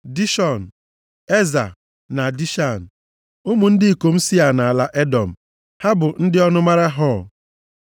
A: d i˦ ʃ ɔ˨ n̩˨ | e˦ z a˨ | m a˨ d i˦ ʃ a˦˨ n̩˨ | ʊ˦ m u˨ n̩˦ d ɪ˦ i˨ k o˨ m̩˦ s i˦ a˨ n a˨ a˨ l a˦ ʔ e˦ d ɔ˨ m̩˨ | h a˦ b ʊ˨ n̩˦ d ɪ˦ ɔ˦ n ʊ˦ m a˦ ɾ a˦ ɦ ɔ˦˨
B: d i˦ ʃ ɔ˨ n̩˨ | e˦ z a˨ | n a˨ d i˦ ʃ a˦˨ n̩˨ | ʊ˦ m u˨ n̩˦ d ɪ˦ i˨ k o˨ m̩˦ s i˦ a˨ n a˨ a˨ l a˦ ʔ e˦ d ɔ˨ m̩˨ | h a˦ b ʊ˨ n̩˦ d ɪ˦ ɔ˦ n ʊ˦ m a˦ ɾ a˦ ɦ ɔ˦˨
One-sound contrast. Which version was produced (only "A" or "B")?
B